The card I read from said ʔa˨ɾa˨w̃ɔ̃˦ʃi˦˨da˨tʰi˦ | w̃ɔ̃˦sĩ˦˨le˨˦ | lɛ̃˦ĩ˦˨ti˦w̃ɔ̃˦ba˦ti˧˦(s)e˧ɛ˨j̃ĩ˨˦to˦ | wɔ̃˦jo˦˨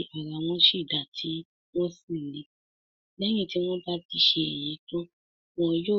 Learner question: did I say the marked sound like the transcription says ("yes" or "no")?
no